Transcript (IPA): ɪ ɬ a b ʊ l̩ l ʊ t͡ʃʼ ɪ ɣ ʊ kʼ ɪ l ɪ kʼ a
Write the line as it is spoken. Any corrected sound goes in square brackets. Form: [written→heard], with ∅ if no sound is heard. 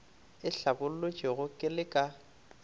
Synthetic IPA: ɪ ɬ a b ʊ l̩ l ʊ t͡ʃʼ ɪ ɣ ʊ kʼ ɪ l ɪ kʼ a